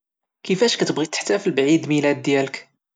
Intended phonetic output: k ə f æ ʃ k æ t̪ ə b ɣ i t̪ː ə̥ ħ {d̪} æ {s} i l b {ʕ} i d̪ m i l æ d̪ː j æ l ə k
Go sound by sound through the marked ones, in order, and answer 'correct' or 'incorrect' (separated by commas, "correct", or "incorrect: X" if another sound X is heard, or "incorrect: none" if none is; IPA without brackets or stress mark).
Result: incorrect: t̪, incorrect: f, correct